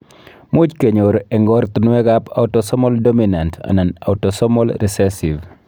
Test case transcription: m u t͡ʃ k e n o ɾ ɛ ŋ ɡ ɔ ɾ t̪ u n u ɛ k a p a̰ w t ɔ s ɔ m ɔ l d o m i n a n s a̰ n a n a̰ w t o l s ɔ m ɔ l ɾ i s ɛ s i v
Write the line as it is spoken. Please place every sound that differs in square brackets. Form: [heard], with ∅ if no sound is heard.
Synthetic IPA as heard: m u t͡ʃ k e [ɲ] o ɾ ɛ ŋ ɡ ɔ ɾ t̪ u n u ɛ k a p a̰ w t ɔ s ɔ m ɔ l d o m i n a n [t] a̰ n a n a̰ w t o [∅] s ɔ m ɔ l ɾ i s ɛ s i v

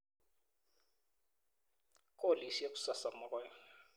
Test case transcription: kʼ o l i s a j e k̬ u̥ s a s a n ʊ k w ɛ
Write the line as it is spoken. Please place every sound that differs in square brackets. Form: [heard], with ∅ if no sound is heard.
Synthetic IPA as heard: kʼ o l i s [i] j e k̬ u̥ s a s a [m] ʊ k w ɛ

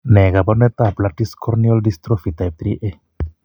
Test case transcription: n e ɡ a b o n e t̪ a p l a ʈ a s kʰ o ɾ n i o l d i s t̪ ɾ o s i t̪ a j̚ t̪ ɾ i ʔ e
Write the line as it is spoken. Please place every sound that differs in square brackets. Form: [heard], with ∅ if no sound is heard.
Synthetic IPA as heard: n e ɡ a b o n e t̪ a p l a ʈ [i] s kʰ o ɾ n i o l d i s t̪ ɾ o [f] i t̪ a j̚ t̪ ɾ i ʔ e

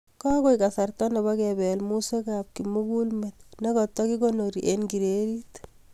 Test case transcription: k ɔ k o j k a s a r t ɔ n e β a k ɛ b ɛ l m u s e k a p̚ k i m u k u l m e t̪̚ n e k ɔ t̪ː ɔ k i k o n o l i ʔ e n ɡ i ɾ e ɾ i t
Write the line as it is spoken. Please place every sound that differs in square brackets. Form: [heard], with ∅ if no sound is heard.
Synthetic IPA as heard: k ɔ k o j k a s a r t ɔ n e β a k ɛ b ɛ l m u s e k a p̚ k i m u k u l m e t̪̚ n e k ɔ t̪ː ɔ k i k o n o [ɾ] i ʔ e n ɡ i ɾ e ɾ i t

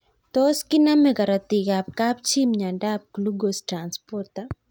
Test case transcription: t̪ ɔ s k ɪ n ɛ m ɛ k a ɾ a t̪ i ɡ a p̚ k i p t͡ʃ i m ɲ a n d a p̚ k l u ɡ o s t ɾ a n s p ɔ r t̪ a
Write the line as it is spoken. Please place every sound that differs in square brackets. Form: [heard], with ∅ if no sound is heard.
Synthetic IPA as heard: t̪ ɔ s k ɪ n [a] m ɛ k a ɾ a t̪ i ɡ a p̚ k [a] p t͡ʃ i m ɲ a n d a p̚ k l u ɡ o s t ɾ a n s p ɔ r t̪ a

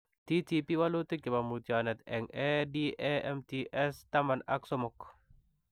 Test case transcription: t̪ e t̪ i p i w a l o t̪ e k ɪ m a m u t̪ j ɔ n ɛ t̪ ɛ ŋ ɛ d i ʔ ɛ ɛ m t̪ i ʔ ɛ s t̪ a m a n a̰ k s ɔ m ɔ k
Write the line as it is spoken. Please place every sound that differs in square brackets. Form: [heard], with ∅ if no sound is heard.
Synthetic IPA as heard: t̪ [i] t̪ i p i w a l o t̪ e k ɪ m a m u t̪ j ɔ n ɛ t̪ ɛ ŋ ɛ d i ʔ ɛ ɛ m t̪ i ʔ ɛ s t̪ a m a n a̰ k s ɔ m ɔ k

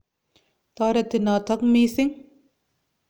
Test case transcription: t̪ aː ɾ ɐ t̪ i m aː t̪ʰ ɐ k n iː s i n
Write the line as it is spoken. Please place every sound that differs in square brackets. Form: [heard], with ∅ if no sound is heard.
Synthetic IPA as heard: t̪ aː ɾ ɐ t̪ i [n] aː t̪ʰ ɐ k [m] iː s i [ŋ]

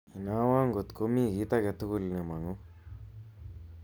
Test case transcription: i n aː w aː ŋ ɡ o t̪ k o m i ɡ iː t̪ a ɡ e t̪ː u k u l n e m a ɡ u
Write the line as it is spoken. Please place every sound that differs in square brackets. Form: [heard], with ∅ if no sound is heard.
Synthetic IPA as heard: i n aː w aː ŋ ɡ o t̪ k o m i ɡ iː t̪ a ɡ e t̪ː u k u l n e m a [ŋ] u

